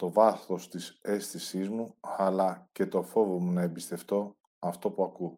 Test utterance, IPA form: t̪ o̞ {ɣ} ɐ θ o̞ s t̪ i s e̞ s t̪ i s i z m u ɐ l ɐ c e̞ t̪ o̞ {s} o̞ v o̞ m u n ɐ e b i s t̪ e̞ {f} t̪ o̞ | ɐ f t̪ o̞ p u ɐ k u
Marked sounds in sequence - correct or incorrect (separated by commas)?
incorrect, incorrect, correct